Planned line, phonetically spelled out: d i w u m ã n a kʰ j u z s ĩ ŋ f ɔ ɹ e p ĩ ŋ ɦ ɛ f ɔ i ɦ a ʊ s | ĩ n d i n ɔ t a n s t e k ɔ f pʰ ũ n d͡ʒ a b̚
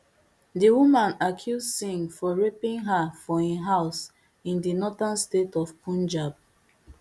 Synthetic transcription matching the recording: d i w u m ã n a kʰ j u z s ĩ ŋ f ɔ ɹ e p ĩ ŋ ɦ a f ɔ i ɦ a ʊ s | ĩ n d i n ɔ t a n s t e t ɔ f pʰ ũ n d͡ʒ a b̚